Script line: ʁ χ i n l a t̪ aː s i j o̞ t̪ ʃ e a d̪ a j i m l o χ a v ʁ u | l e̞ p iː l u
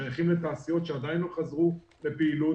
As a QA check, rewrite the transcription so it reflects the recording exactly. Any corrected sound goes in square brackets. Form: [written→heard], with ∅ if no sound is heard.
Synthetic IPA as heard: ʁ χ i [n→m] l [a→e] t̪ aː s i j o̞ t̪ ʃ e a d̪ a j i [m→n] l o χ a [v→z] ʁ u | l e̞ p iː l u